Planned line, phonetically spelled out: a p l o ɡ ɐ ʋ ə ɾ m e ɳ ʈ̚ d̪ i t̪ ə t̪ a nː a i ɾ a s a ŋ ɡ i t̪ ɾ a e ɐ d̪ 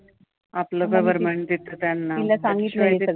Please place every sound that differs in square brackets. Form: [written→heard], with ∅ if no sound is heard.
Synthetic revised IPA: a p l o ɡ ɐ ʋ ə ɾ m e ɳ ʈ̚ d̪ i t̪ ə t̪ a nː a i [ɾ→l] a s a ŋ ɡ i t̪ [ɾ→l] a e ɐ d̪